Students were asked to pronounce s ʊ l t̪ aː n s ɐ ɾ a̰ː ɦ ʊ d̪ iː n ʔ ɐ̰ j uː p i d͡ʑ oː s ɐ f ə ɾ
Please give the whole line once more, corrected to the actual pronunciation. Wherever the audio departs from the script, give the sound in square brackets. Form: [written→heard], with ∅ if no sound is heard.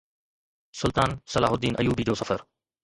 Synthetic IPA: s ʊ l t̪ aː n s ɐ [ɾ→l] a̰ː ɦ ʊ d̪ iː n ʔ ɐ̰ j uː [p→b] i d͡ʑ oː s ɐ f ə ɾ